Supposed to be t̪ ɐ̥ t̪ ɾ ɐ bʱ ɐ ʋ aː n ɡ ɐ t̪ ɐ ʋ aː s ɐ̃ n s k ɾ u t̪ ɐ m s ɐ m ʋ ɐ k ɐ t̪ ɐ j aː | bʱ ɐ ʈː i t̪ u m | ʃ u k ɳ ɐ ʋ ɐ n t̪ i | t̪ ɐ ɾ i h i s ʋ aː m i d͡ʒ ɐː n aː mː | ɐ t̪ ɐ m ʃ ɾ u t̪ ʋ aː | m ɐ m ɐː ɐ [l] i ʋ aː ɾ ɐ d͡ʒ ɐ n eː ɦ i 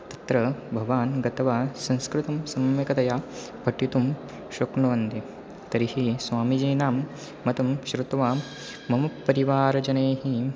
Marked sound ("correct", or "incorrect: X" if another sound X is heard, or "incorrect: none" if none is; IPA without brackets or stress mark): incorrect: ɾ